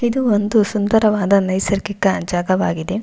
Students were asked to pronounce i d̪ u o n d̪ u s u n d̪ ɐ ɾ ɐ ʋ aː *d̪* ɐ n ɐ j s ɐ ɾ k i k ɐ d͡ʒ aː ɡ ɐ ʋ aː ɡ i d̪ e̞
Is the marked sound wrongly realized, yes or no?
no